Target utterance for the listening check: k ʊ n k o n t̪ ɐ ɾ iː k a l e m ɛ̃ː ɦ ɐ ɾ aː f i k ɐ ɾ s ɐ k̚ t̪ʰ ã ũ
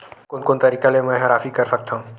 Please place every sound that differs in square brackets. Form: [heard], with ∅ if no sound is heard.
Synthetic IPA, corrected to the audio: k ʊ n k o n t̪ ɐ ɾ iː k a l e m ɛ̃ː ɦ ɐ ɾ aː f i k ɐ ɾ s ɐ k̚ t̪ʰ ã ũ